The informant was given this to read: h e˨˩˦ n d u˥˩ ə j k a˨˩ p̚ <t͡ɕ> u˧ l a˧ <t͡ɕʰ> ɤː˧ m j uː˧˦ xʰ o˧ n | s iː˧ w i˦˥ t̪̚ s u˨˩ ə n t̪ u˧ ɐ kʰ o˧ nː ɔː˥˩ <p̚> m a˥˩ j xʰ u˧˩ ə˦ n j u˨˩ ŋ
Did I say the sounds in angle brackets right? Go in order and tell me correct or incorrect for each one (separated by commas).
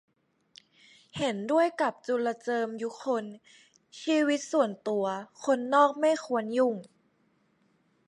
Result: correct, incorrect, incorrect